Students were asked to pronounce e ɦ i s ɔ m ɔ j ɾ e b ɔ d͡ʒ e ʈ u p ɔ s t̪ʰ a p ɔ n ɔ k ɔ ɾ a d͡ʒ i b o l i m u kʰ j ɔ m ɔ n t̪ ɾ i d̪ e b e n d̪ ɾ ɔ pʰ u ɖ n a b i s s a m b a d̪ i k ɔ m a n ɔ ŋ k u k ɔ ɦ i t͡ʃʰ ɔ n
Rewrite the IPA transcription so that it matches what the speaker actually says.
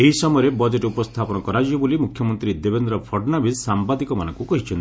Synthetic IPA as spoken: e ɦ i s ɔ m ɔ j ɾ e b ɔ d͡ʒ e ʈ u p ɔ s t̪ʰ a p ɔ n ɔ k ɔ ɾ a d͡ʒ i b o l i m u kʰ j ɔ m ɔ n t̪ ɾ i d̪ e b e n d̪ ɾ ɔ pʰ ɔ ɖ n a b i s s a m b a d̪ i k ɔ m a n ɔ ŋ k u k ɔ ɦ i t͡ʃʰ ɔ n

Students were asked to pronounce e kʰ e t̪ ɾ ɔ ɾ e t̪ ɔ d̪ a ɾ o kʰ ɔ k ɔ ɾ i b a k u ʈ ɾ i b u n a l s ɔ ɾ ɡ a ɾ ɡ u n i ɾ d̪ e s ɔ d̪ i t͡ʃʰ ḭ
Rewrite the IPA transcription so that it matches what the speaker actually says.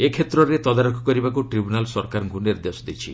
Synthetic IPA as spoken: e kʰ e t̪ ɾ ɔ ɾ e t̪ ɔ d̪ a ɾ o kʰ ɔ k ɔ ɾ i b a k u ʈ ɾ i b u n a l s ɔ ɾ k a ɾ ɡ u n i ɾ d̪ e s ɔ d̪ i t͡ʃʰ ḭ

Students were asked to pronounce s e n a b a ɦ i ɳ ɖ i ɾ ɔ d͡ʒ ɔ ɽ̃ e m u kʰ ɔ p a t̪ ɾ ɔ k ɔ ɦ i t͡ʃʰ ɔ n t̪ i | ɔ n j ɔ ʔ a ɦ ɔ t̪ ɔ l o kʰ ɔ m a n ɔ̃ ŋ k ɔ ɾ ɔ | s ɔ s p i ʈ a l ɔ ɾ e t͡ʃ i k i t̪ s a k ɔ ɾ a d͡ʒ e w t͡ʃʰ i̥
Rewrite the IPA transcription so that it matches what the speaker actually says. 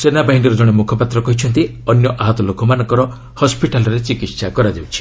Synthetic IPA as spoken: s e n a b a ɦ i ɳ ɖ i ɾ ɔ d͡ʒ ɔ ɽ̃ e m u kʰ ɔ p a t̪ ɾ ɔ k ɔ ɦ i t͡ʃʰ ɔ n t̪ i | ɔ n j ɔ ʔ a ɦ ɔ t̪ ɔ l o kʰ ɔ m a n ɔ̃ ŋ k ɔ ɾ ɔ | h ɔ s p i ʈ a l ɔ ɾ e t͡ʃ i k i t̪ s a k ɔ ɾ a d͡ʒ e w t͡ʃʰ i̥

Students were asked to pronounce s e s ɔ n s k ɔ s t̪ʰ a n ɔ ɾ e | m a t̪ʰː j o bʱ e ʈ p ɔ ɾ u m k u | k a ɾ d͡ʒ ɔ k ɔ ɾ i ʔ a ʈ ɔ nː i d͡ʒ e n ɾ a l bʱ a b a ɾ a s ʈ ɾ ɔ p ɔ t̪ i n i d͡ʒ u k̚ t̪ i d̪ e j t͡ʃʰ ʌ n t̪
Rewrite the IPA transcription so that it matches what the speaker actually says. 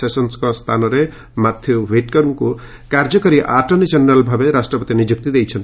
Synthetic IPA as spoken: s e s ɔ n s k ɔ s t̪ʰ a n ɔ ɾ e | m a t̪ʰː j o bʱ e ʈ k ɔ ɾ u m k u | k a ɾ d͡ʒ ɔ k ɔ ɾ i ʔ a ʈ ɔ n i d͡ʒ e n ɾ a l bʱ a b e ɾ a s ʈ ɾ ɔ p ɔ t̪ i n i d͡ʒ u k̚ t̪ i d̪ e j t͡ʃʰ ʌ n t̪

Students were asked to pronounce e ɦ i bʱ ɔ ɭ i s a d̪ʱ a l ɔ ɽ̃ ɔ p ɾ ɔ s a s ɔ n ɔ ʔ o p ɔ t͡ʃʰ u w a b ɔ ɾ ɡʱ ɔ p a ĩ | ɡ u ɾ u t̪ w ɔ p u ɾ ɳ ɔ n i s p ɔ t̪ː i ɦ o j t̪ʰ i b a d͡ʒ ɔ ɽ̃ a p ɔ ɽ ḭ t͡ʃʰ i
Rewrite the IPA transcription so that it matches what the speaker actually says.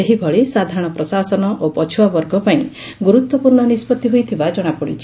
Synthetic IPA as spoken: e ɦ i bʱ ɔ ɭ i s a d̪ʱ a ɾ ɔ ɽ̃ ɔ p ɾ ɔ s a s ɔ n ɔ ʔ o p ɔ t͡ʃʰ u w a b ɔ ɾ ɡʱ ɔ p a ĩ | ɡ u ɾ u t̪ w ɔ p u ɾ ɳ ɔ n i s p ɔ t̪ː i ɦ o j t̪ʰ i b a d͡ʒ ɔ ɽ̃ a p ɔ ɽ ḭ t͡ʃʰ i

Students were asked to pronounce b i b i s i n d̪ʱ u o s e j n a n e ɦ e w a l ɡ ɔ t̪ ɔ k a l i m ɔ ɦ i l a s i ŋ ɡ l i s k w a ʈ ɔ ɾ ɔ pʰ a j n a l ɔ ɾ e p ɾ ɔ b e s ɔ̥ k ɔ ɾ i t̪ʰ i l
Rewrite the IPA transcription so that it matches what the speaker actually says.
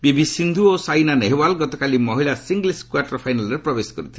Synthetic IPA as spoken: b i b i s i n d̪ʱ u o s a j n a n e ɦ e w a l ɡ ɔ t̪ ɔ k a l i m ɔ ɦ i l a s i ŋ ɡ l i s k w a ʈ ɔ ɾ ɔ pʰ a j n a l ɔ ɾ e p ɾ ɔ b e s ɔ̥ k ɔ ɾ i t̪ʰ i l

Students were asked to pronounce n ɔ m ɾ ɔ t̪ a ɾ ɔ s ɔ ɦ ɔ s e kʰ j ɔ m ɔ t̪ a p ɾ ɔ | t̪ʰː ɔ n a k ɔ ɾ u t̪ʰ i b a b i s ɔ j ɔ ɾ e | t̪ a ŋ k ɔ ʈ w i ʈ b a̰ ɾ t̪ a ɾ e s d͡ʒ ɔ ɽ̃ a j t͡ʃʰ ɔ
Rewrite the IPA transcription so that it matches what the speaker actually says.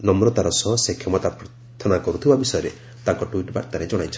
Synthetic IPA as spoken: n ɔ m ɾ ɔ t̪ a ɾ ɔ s ɔ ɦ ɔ s e kʰ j ɔ m ɔ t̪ a p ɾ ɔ | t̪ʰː ɔ n a k ɔ ɾ u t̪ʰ i b a b i s ɔ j ɔ ɾ e | t̪ a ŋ k ɔ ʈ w i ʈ b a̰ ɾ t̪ a ɾ e d͡ʒ ɔ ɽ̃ a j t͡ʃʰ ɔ

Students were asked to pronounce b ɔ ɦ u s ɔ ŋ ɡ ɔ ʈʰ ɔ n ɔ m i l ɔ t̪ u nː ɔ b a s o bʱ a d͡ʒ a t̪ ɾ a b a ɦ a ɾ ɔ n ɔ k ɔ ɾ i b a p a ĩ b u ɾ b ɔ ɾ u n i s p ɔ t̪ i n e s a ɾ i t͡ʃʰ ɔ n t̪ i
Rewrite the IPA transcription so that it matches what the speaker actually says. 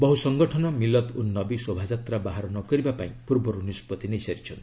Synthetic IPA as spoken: b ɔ ɦ u s ɔ ŋ ɡ ɔ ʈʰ ɔ n ɔ m i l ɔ t̪ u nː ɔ b i s o bʱ a d͡ʒ a t̪ ɾ a b a ɦ a ɾ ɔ n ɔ k ɔ ɾ i b a p a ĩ p u ɾ b ɔ ɾ u n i s p ɔ t̪ i n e s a ɾ i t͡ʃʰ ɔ n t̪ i

